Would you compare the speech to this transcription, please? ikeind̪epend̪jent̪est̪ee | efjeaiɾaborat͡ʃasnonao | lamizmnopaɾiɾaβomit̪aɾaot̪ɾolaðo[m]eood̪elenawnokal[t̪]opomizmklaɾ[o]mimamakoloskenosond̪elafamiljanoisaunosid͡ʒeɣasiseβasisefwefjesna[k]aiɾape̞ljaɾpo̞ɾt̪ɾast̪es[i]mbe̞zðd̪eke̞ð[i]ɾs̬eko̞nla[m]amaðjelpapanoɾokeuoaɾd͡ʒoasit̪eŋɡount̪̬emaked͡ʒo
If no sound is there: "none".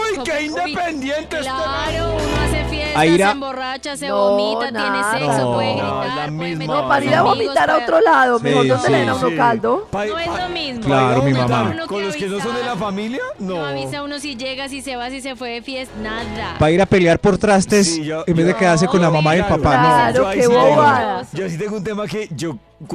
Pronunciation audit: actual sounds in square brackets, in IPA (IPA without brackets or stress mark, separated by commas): m, d̪, o, p, e, a, m